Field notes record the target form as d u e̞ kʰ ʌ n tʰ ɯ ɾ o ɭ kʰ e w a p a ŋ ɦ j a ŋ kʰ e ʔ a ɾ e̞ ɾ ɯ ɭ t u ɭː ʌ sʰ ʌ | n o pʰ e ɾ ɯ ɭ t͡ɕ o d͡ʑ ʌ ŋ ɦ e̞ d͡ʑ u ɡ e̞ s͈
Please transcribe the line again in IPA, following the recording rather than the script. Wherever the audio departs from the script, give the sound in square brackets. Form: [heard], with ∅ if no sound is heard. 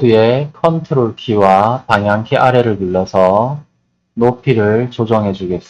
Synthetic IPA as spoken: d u e̞ kʰ ʌ n tʰ ɯ ɾ o ɭ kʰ [i] w a p a ŋ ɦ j a ŋ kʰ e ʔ a ɾ e̞ ɾ ɯ ɭ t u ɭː ʌ sʰ ʌ | n o pʰ [i] ɾ ɯ ɭ t͡ɕ o d͡ʑ ʌ ŋ ɦ e̞ d͡ʑ u ɡ e̞ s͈